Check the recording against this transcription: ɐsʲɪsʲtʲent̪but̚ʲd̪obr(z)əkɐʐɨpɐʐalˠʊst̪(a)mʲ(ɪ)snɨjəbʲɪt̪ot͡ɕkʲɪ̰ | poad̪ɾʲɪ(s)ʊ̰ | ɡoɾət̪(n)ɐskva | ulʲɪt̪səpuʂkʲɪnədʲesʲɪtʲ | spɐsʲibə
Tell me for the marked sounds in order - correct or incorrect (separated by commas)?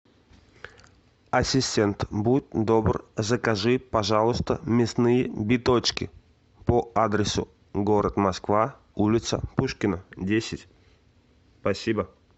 correct, incorrect, correct, correct, incorrect